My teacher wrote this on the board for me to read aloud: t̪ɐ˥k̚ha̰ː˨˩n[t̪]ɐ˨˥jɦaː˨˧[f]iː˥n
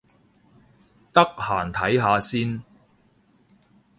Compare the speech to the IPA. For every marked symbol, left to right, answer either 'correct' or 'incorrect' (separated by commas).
incorrect, incorrect